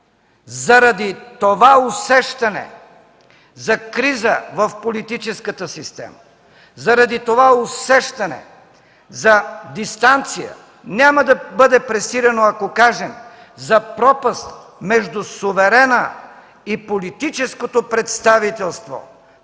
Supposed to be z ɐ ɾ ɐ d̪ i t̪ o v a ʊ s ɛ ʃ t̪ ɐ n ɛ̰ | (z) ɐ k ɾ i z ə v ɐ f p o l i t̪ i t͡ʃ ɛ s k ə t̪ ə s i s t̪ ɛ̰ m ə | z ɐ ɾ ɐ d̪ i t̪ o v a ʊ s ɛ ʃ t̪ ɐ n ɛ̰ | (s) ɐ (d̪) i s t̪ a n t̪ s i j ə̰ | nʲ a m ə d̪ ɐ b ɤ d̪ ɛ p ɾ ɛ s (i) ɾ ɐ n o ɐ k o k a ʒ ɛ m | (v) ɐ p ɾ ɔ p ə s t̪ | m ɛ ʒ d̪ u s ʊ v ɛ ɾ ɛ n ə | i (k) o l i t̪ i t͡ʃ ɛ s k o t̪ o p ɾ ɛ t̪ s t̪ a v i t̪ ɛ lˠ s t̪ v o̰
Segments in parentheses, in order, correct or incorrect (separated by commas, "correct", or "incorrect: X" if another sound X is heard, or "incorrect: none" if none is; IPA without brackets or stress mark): correct, incorrect: z, correct, correct, incorrect: z, incorrect: p